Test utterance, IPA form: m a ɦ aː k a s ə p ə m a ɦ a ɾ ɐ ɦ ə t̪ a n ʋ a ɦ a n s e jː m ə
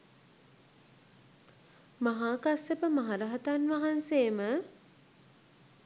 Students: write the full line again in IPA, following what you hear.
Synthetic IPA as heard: m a ɦ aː k a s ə p ə m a ɦ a ɾ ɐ ɦ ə t̪ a n ʋ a ɦ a n s e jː m ə